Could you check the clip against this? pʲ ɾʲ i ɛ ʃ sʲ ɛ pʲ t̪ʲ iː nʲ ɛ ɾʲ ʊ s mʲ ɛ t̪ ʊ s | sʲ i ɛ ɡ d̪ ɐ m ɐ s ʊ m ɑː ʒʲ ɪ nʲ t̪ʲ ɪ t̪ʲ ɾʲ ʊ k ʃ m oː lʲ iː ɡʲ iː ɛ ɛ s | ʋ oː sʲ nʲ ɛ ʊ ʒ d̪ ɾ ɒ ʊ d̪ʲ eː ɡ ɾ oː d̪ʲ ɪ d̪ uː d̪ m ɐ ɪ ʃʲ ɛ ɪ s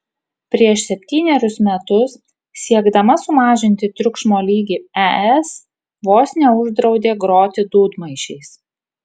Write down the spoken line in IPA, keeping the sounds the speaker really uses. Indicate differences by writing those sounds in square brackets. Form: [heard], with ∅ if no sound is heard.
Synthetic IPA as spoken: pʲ ɾʲ i ɛ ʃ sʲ ɛ pʲ t̪ʲ iː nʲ ɛ ɾʲ ʊ s mʲ ɛ t̪ ʊ s | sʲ i ɛ ɡ d̪ ɐ m ɐ s ʊ m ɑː ʒʲ ɪ nʲ t̪ʲ ɪ t̪ʲ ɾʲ ʊ k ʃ m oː lʲ iː ɡʲ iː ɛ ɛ s | ʋ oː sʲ nʲ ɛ ʊ ʒ d̪ ɾ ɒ ʊ d̪ʲ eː ɡ ɾ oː [t̪ʲ] ɪ d̪ uː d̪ m ɐ ɪ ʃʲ ɛ ɪ s